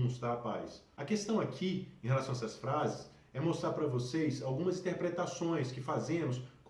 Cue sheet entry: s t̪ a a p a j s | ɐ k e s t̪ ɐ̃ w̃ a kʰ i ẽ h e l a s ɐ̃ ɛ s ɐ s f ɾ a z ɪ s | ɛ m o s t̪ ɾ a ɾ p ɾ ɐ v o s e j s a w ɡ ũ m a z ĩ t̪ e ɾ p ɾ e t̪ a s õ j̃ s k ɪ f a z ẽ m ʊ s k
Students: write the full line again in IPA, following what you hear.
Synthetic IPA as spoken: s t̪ a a p a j s | ɐ k e s t̪ ɐ̃ w̃ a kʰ i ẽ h e l a s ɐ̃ ɛ s ɐ s f ɾ a z ɪ s | ɛ m o s t̪ ɾ a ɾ p ɾ ɐ v o s e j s a w ɡ ũ m ɐ z ĩ t̪ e ɾ p ɾ e t̪ a s õ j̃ s k ɪ f a z ẽ m ʊ s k